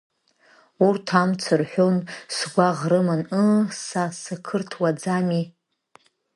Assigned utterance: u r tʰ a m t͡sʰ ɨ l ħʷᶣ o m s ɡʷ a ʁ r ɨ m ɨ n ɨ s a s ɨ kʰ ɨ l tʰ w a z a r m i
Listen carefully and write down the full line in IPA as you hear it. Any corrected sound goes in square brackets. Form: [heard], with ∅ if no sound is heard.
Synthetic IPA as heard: u r tʰ a m t͡sʰ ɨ [r] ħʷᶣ o [n] s ɡʷ a ʁ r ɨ m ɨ n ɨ s a s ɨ kʰ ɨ [r] tʰ w a [d͡z] a [∅] m i